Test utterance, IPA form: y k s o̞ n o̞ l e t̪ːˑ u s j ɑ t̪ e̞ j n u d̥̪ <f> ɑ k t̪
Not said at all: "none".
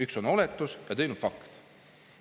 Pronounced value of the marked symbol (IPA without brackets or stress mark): f